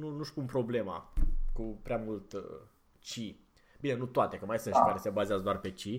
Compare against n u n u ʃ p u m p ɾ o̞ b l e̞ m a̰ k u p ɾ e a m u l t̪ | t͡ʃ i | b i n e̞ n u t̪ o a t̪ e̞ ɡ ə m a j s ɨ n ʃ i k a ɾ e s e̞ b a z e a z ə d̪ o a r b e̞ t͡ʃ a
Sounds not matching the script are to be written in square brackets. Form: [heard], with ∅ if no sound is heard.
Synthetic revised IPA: n u n u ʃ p u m p ɾ o̞ b l e̞ m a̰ k u p ɾ e a m u l t̪ | t͡ʃ i | b i n e̞ n u t̪ o a t̪ e̞ [k] ə m a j s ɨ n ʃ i k a ɾ e s e̞ b a z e a z ə d̪ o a r [p] e̞ t͡ʃ [i]